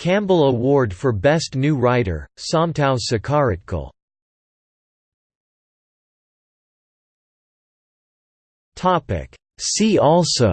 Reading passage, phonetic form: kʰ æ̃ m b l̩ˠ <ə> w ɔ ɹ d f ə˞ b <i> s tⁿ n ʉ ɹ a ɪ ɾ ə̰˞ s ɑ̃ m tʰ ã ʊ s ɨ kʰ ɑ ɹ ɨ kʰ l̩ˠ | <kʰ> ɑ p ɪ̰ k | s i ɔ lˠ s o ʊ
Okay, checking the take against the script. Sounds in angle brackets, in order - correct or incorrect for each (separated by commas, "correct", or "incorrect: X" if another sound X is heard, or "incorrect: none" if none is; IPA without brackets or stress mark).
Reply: correct, incorrect: ɛ, incorrect: tʰ